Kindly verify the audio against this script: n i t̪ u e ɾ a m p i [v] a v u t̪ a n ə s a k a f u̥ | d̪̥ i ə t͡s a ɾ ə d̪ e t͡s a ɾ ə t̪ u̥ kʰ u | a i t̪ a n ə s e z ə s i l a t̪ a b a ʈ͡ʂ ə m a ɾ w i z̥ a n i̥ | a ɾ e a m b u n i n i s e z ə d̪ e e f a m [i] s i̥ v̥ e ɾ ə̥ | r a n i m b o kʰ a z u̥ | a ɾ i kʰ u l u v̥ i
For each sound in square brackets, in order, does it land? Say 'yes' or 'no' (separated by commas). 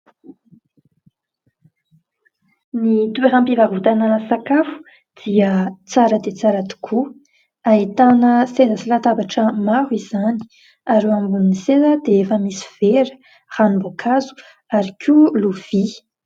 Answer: yes, yes